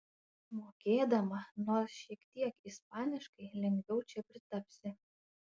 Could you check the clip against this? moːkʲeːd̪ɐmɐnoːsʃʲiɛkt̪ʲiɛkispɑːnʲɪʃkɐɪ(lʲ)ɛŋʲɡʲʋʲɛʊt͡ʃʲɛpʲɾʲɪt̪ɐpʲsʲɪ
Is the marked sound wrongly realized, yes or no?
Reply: no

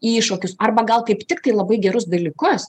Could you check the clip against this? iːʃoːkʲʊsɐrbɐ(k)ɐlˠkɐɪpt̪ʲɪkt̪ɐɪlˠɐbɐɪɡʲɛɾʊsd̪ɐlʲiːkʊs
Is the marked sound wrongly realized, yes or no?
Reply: yes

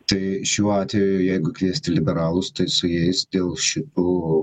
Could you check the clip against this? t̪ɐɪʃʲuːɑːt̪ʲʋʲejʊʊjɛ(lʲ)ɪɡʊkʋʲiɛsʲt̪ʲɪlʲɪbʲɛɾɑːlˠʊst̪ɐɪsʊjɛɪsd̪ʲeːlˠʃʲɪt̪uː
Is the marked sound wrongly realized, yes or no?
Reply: yes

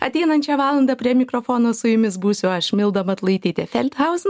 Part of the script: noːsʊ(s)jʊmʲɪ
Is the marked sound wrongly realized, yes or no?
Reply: yes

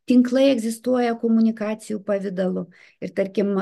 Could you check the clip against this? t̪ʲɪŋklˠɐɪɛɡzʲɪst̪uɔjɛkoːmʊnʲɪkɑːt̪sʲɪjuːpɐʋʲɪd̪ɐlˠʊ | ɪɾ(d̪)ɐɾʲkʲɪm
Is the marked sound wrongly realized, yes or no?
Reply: yes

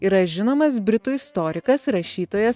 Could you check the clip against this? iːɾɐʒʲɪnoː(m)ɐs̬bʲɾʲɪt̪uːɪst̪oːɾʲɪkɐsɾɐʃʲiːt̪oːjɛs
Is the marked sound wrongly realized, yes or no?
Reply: no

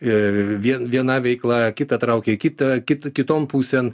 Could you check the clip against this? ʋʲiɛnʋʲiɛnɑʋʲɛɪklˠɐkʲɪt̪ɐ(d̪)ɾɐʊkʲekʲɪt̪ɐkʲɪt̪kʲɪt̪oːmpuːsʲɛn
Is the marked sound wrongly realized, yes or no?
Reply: yes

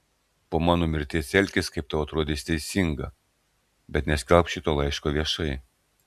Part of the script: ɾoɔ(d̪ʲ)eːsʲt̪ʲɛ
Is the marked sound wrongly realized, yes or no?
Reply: no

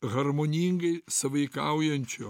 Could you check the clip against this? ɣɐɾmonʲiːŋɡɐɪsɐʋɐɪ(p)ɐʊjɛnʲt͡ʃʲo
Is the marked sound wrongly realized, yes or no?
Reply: yes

